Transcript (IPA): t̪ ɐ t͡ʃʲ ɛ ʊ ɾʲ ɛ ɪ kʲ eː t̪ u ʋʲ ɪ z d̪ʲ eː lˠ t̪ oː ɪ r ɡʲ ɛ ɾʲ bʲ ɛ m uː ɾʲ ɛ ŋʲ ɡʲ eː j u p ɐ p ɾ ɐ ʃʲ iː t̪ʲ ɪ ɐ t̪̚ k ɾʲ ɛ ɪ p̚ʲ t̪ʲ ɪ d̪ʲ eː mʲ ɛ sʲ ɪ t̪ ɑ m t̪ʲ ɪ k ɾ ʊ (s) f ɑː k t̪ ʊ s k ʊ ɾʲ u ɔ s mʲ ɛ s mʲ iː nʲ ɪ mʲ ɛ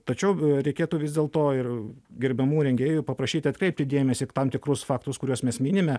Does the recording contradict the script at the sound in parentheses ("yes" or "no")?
no